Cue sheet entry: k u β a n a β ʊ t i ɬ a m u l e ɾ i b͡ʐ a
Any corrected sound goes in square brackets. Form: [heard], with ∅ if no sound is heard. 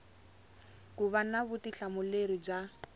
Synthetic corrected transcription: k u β a n a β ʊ t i ɬ a m [ʊ] l e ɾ i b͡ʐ a